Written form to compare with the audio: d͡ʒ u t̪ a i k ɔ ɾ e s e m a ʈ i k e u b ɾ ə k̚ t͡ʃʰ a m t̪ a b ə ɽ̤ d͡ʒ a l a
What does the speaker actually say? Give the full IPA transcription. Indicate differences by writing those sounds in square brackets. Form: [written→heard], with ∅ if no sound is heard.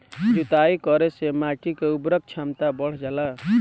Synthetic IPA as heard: d͡ʒ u t̪ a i k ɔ ɾ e s e m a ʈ i k e u b ɾ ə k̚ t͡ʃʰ a m t̪ a b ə ɽ̤ d͡ʒ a l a